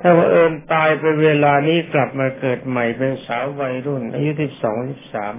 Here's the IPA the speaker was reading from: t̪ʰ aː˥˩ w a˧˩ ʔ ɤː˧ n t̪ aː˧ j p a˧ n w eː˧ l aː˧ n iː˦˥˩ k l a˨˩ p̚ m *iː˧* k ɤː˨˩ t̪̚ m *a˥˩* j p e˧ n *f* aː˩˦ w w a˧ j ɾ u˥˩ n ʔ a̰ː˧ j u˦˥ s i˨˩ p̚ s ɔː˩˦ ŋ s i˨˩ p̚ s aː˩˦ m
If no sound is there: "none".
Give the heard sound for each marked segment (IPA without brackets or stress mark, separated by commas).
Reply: aː˧, a˨˩, s